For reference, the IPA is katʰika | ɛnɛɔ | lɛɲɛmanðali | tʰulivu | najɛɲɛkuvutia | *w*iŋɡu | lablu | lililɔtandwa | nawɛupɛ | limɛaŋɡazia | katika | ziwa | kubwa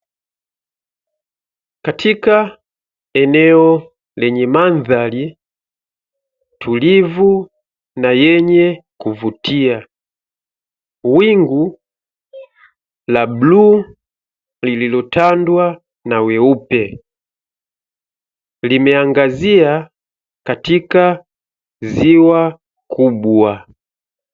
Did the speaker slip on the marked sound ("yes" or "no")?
no